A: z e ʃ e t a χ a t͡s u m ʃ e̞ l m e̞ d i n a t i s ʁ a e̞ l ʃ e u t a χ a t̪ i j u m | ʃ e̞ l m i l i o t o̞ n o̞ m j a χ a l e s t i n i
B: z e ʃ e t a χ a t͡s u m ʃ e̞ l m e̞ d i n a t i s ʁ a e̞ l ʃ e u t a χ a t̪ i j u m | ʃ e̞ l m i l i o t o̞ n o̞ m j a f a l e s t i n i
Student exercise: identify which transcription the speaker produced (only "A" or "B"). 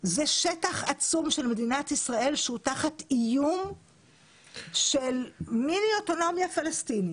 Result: B